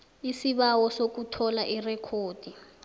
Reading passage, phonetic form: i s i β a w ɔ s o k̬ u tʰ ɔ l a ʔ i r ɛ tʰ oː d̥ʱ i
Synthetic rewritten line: i s i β a w ɔ s o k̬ u tʰ ɔ l a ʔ i r ɛ kʰ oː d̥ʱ i